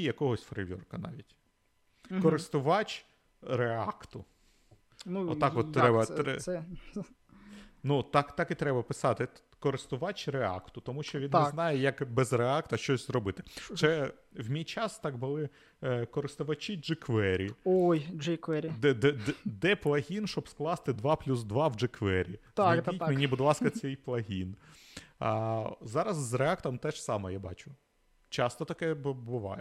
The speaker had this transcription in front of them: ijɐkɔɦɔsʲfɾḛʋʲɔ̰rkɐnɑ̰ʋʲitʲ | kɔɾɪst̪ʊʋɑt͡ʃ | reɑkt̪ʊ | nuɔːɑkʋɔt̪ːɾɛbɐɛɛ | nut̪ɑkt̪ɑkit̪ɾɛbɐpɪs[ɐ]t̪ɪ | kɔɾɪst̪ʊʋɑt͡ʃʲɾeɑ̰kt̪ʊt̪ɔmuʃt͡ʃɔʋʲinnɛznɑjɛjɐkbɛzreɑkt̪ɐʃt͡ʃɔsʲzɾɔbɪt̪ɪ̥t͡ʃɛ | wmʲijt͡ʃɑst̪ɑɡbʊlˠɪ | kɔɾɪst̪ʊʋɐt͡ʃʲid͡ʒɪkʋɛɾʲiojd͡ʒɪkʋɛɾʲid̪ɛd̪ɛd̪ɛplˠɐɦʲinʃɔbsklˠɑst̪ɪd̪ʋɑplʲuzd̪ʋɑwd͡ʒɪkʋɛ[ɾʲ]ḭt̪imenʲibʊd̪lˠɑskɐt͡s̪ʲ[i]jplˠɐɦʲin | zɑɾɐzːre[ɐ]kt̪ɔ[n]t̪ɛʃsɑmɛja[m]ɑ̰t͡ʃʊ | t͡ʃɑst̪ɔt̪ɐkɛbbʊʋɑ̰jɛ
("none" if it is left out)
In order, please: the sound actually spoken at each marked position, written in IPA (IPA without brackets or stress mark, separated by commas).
ɑ, ɾʲ, ɛ, ɑ, m, b